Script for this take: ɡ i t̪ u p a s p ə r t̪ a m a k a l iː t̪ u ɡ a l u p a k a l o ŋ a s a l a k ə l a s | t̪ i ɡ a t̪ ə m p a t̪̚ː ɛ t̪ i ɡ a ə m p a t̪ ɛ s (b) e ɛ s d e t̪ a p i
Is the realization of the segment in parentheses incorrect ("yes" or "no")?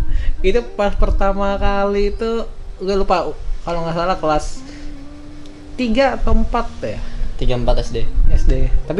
yes